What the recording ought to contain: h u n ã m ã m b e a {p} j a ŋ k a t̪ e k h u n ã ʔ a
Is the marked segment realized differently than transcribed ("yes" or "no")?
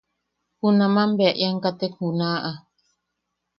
yes